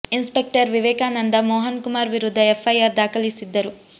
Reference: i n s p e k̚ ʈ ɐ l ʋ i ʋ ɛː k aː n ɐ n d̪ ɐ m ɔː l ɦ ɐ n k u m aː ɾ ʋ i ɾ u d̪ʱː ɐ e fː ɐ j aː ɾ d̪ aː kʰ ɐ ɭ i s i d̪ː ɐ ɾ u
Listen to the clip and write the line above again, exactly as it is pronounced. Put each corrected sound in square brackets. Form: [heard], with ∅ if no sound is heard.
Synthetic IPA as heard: i n s p e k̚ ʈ ɐ [ɾ] ʋ i ʋ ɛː k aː n ɐ n d̪ ɐ m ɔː [∅] ɦ ɐ n k u m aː ɾ ʋ i ɾ u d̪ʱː ɐ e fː ɐ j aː ɾ d̪ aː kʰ ɐ [l] i s i d̪ː ɐ ɾ u

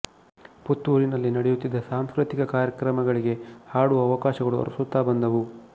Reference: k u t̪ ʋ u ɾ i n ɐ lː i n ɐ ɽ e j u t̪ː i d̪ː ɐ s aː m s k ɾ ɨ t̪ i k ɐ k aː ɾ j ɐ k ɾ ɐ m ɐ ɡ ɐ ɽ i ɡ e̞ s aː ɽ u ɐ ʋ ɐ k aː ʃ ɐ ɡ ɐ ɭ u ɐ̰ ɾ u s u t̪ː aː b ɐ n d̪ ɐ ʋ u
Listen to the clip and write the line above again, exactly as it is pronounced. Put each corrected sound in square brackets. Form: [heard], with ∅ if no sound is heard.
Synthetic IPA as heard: [p] u t̪ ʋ u ɾ i n ɐ lː i n ɐ ɽ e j u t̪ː i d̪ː ɐ s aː m s k ɾ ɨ t̪ i k ɐ k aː ɾ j ɐ k ɾ ɐ m ɐ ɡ ɐ [ɭ] i ɡ e̞ [h] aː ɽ u ɐ ʋ ɐ k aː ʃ ɐ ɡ ɐ ɭ u ɐ̰ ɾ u s u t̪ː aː b ɐ n d̪ ɐ ʋ u

